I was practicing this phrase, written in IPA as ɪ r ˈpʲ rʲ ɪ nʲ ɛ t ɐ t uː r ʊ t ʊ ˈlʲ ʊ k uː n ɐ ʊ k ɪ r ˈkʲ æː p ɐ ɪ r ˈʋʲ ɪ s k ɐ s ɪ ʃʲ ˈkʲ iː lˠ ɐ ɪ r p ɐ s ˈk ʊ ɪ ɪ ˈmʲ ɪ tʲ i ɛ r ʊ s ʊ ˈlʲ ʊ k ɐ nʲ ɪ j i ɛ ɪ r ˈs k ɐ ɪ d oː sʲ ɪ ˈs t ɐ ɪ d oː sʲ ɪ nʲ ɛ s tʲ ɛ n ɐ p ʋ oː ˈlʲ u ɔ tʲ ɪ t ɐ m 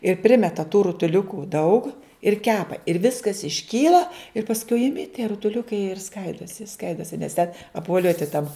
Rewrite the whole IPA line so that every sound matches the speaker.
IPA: ɪ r ˈpʲ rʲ ɪ mʲ ɛ t ɐ t uː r ʊ t ʊ ˈlʲ ʊ k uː d ɐ ʊ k ɪ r ˈkʲ æː p ɐ ɪ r ˈʋʲ ɪ s k ɐ s ɪ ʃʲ ˈkʲ iː lˠ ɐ ɪ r p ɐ s ˈk ʊ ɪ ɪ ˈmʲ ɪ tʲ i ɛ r ʊ t ʊ ˈlʲ ʊ k ɐ ɪ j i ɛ ɪ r ˈs k ɐ ɪ d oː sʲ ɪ ˈs k ɐ ɪ d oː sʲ ɪ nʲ ɛ s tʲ ɛ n ɐ p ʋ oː ˈlʲ u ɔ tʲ ɪ t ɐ m